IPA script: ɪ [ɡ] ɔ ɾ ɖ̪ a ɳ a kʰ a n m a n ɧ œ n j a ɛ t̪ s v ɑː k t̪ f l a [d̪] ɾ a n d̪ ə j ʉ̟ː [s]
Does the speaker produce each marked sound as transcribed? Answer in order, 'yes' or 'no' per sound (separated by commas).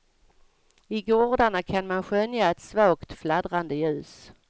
yes, yes, yes